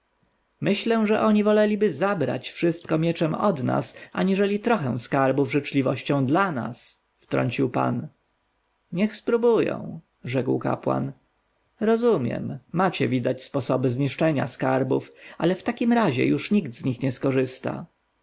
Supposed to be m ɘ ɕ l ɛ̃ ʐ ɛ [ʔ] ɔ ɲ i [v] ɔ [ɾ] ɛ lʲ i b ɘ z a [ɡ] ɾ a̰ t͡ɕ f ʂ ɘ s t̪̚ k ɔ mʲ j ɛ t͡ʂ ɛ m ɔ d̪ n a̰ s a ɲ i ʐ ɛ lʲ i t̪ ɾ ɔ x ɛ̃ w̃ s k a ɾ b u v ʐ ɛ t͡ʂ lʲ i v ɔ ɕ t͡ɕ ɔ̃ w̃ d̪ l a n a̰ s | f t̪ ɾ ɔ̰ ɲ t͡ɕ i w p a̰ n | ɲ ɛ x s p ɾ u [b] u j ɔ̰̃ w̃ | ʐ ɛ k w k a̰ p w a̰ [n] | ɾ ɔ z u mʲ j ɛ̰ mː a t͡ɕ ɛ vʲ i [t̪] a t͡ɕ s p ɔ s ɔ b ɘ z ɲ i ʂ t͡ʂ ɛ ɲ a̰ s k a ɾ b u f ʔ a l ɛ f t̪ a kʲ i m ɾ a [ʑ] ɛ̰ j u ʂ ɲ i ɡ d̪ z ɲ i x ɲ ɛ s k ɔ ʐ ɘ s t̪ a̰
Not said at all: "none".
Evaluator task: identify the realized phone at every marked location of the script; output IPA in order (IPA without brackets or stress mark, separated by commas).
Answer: ʔ, v, l, b, b, n, d̪, ʑ